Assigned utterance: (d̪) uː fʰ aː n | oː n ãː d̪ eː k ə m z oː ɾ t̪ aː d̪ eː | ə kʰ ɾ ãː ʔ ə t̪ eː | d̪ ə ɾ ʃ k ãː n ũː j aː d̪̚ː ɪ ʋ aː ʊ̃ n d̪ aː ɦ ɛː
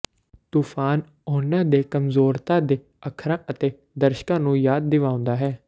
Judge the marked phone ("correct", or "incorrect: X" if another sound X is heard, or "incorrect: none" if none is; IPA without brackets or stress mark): incorrect: t̪